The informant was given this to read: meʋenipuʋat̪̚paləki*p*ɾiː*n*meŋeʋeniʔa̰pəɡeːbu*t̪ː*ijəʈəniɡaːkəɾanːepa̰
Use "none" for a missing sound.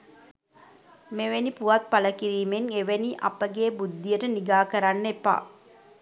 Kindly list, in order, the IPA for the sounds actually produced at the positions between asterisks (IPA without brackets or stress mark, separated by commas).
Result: none, none, d̪ː